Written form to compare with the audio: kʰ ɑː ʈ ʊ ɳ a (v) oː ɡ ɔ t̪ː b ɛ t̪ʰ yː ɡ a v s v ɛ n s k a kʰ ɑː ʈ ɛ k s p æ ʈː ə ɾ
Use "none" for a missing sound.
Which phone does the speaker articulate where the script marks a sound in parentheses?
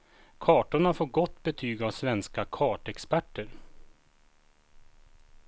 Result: f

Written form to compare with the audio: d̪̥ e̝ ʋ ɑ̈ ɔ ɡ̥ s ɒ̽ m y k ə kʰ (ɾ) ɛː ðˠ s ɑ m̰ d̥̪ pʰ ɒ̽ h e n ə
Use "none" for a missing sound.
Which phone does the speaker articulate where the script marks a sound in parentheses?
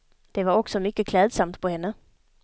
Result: l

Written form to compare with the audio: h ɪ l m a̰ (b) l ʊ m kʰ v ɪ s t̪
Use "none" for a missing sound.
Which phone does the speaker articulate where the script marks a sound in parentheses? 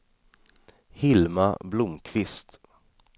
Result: b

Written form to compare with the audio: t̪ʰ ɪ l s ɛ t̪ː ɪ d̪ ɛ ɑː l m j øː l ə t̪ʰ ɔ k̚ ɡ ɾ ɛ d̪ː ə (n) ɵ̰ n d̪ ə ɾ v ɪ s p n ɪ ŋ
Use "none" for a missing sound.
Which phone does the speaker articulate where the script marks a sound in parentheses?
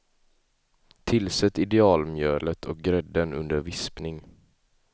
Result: n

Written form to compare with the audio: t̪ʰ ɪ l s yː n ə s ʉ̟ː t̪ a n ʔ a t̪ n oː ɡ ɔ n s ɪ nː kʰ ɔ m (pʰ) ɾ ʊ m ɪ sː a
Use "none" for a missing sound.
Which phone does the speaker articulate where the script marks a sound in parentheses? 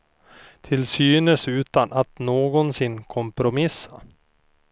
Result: p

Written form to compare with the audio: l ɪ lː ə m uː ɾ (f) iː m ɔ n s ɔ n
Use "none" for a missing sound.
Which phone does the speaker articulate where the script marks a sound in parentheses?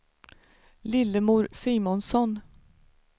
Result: s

